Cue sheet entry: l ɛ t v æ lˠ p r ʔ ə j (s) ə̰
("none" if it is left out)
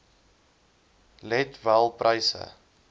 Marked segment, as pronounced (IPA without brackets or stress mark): s